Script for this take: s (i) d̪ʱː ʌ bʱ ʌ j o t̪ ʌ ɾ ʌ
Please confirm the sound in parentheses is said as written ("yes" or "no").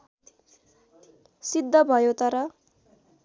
yes